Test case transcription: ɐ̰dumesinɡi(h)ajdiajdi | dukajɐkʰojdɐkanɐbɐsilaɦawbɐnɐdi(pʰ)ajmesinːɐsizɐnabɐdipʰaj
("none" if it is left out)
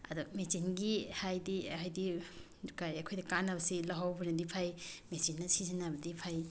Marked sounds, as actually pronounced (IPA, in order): h, pʰ

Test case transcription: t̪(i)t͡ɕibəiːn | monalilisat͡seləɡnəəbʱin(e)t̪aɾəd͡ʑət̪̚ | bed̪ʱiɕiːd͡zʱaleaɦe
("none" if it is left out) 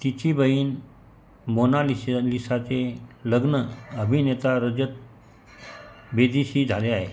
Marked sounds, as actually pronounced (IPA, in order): i, e

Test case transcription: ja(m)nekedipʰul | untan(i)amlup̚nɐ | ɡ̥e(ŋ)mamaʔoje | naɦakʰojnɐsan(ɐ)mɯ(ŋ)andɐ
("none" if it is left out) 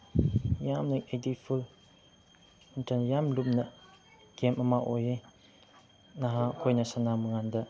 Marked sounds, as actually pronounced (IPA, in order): m, j, none, a, ŋ

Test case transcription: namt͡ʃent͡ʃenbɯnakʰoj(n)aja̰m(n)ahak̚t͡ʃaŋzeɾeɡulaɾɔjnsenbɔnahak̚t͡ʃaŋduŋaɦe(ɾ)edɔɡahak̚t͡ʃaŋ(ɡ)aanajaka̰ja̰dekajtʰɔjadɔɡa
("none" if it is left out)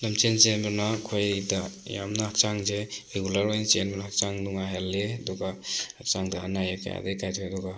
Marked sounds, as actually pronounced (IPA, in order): d, n, l, d

